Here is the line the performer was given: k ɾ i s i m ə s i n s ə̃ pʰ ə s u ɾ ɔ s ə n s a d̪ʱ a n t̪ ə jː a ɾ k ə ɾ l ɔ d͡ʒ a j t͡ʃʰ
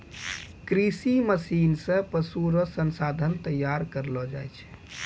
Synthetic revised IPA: k ɾ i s i m ə s i n s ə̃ p ə s u ɾ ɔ s ə n s a d̪ʱ ə n t̪ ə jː a ɾ k ə ɾ l ɔ d͡ʒ a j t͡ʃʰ